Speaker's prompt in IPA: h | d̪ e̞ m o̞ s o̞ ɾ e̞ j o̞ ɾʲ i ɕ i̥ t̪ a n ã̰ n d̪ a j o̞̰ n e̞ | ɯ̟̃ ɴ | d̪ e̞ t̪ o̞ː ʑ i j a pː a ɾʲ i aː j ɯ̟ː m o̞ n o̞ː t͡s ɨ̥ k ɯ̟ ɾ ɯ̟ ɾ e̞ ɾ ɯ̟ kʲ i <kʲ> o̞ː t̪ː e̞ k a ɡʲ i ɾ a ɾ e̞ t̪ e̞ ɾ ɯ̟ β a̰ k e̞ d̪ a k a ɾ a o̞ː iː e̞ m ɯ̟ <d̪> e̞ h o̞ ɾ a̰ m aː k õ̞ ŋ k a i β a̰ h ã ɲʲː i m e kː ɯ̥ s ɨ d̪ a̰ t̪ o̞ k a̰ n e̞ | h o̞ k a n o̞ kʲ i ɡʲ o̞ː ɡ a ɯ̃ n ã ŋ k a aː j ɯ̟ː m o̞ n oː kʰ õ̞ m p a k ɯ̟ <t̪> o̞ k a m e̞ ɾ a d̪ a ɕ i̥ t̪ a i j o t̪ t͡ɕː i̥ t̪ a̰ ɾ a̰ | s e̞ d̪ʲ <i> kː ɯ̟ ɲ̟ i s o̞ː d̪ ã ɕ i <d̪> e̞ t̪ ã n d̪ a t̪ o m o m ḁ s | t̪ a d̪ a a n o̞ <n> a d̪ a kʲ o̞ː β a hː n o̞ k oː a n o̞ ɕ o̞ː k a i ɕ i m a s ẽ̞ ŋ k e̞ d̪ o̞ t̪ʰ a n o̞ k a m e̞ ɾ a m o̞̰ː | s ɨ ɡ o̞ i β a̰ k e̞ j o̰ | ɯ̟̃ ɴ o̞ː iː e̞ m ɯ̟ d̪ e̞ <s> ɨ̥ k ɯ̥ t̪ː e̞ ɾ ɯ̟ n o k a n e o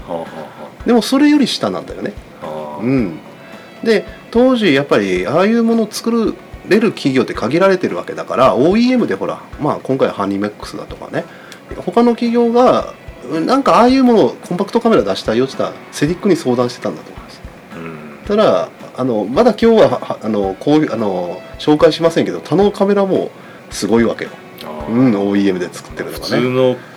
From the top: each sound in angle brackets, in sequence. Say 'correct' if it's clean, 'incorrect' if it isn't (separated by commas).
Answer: incorrect, correct, correct, correct, incorrect, incorrect, incorrect